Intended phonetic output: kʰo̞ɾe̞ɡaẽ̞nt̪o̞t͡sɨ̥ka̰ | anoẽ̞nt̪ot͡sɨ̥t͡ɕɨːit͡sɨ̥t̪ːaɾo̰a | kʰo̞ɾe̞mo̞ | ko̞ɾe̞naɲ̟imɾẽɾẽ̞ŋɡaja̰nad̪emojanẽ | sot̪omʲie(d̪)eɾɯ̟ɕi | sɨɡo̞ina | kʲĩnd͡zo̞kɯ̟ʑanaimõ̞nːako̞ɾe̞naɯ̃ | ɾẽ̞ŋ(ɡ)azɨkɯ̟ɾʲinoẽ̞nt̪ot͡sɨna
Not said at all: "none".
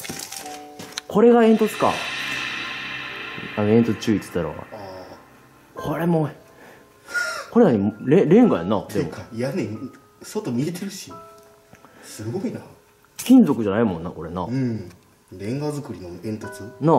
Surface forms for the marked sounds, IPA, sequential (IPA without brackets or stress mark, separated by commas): t̪, ɡ